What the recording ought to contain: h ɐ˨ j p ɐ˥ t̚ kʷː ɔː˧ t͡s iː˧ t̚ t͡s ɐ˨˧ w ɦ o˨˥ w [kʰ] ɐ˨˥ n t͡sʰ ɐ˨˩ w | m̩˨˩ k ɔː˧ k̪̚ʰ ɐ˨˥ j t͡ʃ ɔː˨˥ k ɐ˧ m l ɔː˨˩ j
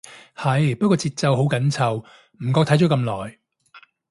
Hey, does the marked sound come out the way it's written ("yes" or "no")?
no